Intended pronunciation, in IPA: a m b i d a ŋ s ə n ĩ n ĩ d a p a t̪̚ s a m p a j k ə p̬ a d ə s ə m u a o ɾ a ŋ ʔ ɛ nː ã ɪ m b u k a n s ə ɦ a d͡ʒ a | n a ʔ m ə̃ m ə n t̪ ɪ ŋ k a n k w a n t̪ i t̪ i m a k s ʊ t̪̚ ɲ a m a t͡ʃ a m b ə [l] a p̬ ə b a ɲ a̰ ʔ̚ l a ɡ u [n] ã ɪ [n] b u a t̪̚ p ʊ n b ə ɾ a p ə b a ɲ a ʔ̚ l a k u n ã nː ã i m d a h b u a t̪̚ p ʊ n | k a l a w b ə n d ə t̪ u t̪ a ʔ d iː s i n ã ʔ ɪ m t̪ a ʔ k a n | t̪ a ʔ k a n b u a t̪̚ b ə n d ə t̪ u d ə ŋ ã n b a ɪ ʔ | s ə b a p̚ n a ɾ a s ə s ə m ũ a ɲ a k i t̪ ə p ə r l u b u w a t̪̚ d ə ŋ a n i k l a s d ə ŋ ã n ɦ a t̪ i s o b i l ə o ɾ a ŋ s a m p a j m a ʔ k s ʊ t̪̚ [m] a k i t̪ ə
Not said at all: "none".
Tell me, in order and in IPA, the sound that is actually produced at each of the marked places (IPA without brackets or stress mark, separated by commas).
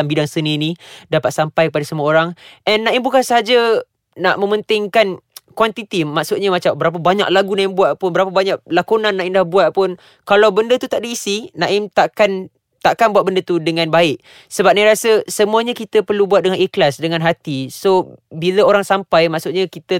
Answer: ɾ, n, m, ɲ